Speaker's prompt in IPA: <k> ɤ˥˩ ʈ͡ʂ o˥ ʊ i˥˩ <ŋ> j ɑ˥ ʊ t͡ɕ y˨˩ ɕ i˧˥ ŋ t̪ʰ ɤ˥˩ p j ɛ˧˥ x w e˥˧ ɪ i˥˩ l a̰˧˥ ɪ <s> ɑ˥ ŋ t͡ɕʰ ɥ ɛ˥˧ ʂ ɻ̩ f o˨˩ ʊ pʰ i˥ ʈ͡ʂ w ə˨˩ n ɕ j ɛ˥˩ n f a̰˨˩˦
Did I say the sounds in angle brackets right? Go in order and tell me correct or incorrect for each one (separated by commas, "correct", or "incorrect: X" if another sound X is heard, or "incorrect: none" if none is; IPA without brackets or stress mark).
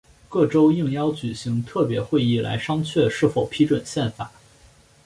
correct, correct, incorrect: ʂ